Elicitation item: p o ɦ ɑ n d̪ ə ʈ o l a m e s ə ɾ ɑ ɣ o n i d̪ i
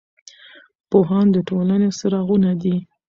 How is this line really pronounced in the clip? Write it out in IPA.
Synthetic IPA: p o ɦ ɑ n d̪ ə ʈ o l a n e s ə ɾ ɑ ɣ u n a d̪ i

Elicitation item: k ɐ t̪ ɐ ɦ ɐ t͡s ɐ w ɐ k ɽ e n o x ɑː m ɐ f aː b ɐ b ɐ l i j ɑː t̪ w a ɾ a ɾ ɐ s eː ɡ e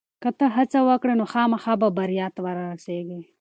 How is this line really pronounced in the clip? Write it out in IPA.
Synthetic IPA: k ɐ t̪ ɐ ɦ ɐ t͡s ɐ w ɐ k ɽ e n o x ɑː m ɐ x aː b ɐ b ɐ ɾ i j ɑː t̪ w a ɾ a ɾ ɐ s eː ɡ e

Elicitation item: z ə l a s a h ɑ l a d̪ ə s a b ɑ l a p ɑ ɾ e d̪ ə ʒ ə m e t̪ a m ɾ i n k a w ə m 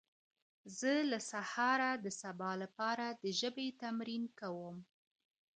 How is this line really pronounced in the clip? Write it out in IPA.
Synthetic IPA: z ə l a s a h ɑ ɾ a d̪ ə s a b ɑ l a p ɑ ɾ a d̪ ə ʒ ə b e t̪ a m ɾ i n k a w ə m

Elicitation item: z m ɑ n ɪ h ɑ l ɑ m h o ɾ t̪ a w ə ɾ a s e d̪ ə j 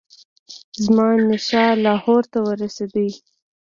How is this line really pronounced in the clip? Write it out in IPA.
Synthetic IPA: z m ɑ n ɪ ʃ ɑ l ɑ h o ɾ t̪ a w ə ɾ a s e d̪ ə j

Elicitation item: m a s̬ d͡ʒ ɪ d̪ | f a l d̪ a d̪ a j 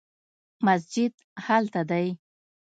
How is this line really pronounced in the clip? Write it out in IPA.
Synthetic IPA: m a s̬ d͡ʒ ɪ d̪ | h a l t̪ a d̪ a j

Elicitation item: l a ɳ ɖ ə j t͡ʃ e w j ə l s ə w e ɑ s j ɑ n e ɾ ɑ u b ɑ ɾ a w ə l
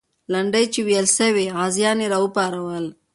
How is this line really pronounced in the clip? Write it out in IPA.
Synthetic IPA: l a ɳ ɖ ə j t͡ʃ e w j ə l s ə w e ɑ z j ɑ n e ɾ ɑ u p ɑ ɾ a w ə l

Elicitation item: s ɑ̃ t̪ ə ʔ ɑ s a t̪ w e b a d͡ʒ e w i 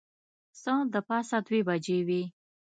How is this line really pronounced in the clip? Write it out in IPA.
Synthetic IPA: s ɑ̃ d̪ ə p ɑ s a d̪ w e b a d͡ʒ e w i

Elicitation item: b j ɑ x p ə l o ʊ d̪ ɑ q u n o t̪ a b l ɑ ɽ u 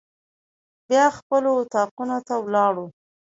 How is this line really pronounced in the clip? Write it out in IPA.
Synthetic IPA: b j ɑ x p ə l o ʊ t̪ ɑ q u n o t̪ a w l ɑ ɽ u

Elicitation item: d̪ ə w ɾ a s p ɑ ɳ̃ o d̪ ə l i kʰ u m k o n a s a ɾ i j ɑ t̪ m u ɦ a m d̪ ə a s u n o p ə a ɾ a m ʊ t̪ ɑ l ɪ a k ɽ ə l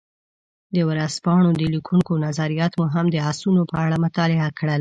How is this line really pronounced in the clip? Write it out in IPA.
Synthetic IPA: d̪ ə w ɾ a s p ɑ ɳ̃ o d̪ ə l i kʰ u ŋ k o n a z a ɾ i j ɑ t̪ m u ɦ a m d̪ ə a s u n o p ə a ɽ a m ʊ t̪ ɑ l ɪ a k ɽ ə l

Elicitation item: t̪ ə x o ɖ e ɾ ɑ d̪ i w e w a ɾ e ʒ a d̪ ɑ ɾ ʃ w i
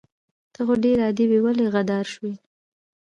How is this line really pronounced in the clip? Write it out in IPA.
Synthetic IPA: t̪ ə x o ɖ e ɾ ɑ d̪ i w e w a l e ɣ a d̪ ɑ ɾ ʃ w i

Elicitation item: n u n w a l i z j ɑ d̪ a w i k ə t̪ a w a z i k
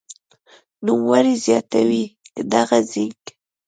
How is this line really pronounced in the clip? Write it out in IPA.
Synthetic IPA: n u m w a ɾ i z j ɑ t̪ a w i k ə d̪ a ɣ a z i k

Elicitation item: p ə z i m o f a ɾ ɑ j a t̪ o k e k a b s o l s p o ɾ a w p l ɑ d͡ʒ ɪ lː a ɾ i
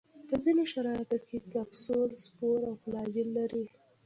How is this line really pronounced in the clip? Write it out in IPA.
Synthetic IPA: p ə z i n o ʃ a ɾ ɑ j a t̪ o k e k a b s o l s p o ɾ a w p l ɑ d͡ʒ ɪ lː a ɾ i

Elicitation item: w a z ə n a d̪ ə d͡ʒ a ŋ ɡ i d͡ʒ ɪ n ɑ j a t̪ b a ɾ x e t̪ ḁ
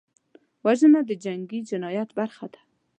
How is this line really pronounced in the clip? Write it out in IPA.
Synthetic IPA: w a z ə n a d̪ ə d͡ʒ a ŋ ɡ i d͡ʒ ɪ n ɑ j a t̪ b a ɾ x a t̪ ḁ

